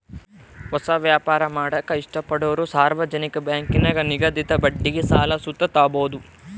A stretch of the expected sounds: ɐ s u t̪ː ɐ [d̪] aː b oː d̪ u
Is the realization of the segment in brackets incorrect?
yes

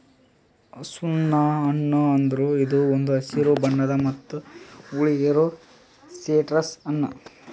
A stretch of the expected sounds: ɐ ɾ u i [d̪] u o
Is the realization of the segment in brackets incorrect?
no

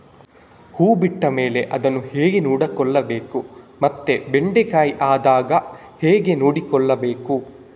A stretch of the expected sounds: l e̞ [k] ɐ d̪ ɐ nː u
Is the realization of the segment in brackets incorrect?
yes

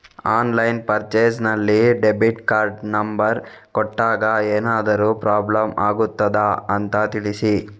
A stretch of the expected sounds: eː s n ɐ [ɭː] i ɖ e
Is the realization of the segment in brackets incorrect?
yes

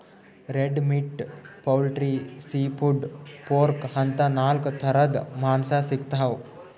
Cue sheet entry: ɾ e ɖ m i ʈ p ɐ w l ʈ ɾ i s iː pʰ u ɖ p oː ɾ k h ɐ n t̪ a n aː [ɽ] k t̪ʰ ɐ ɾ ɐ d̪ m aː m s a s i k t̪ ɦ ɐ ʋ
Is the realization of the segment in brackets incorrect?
yes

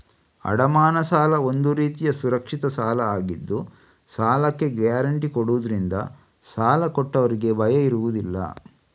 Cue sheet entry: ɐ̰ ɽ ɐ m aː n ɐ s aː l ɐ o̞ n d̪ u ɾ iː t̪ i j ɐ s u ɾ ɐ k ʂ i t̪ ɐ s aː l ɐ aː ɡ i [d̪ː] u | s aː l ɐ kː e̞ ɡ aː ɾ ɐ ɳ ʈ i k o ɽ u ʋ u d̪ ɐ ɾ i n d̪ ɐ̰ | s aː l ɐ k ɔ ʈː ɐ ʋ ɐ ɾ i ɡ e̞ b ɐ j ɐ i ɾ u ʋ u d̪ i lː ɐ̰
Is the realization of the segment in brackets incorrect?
no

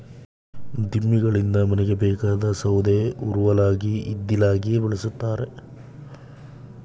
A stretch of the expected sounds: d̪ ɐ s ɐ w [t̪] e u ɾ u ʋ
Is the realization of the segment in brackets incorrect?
yes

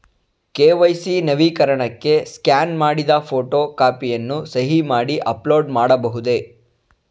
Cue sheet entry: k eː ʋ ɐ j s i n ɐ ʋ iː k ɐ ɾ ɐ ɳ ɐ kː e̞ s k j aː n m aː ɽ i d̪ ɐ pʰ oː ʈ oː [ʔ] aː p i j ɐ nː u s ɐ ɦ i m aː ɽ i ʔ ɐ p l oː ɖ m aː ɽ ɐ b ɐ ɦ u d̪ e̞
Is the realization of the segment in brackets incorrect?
yes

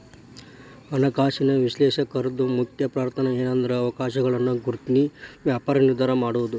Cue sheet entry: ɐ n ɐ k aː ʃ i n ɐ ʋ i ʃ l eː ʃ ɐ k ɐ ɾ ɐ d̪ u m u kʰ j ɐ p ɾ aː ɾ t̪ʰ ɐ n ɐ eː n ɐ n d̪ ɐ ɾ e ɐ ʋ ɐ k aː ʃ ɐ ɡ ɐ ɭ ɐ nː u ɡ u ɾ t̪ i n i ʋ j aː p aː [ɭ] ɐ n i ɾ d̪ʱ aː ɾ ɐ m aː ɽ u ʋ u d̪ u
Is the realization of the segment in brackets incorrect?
yes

